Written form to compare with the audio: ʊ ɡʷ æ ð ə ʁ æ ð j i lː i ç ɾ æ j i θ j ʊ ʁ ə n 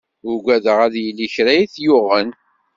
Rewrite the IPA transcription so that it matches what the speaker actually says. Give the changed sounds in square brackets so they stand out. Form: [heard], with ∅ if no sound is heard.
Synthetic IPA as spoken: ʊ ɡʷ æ ð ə ʁ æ ð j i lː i ç ɾ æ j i θ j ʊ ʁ ə n

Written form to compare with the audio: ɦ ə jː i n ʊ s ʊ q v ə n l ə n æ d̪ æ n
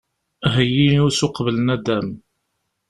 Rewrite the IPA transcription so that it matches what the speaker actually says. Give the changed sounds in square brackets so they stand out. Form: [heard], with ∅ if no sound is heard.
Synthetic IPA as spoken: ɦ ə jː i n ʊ s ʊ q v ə [∅] l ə n æ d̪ æ [m]

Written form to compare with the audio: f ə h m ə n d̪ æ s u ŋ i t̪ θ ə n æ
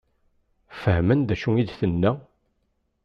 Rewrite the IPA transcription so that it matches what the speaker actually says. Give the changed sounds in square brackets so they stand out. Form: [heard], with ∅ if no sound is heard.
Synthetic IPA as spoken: f ə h m ə n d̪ æ [ʃ] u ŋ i [d̪] θ ə [nː] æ

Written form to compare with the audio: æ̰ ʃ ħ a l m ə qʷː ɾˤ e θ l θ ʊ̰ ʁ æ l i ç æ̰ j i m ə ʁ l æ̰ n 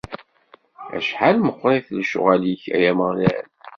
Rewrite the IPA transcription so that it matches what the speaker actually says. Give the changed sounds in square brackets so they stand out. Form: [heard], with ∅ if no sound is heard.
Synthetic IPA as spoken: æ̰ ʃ ħ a l m ə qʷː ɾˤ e θ l [ʃ] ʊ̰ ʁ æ l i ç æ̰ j [æ] m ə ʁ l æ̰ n

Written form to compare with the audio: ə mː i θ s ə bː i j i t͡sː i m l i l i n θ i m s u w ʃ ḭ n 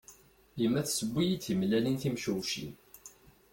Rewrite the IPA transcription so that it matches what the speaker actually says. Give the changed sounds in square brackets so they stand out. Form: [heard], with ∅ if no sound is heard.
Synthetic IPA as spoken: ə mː [æ] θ s ə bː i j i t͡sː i m l [æ] l i n θ i m [ʃ] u w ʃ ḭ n

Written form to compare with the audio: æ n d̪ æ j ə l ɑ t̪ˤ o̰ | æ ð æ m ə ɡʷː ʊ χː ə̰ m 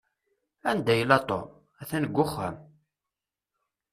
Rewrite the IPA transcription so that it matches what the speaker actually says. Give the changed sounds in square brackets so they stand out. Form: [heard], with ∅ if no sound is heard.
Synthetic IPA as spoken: æ n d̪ æ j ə l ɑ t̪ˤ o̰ | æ [θ] æ [n] ə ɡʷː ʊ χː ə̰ m

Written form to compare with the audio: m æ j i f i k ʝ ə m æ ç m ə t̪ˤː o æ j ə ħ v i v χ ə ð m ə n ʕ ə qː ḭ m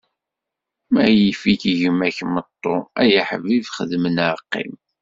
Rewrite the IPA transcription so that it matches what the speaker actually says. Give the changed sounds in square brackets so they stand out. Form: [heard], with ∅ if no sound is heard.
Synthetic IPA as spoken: m æ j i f i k ʝ ə m æ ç m ə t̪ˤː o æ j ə ħ v i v χ ə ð m ə n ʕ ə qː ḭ m

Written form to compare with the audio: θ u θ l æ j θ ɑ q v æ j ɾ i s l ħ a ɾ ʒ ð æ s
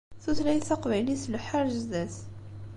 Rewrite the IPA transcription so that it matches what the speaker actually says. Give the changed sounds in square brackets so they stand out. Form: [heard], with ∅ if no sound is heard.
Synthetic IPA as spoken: θ u θ l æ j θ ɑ q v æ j [l] i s l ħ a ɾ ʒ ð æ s

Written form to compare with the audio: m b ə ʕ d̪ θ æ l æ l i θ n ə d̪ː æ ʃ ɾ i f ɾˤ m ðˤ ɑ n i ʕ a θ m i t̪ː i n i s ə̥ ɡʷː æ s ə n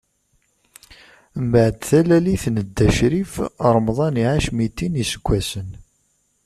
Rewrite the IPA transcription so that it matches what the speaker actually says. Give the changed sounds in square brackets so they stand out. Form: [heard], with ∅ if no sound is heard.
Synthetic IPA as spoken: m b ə ʕ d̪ θ æ l æ l i θ n ə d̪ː æ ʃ ɾ i f ɾˤ m ðˤ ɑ n i ʕ a [ʃ] m i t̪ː i n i s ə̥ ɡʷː æ s ə n

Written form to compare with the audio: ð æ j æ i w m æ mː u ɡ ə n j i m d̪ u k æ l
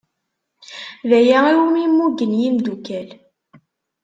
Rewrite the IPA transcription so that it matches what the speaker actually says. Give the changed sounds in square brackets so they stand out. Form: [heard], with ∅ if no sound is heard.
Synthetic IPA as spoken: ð æ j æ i w m [i] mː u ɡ ə n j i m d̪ u k æ l

